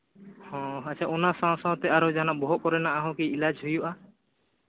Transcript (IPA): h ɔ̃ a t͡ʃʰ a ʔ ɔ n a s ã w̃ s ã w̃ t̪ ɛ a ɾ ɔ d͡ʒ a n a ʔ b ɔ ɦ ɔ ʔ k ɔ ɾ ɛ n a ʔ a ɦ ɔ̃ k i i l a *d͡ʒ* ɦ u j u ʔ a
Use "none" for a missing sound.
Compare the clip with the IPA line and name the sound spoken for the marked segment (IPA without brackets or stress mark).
d͡ʒ